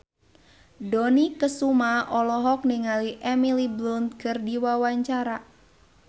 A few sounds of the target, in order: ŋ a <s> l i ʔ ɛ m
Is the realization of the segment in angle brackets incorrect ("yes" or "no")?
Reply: yes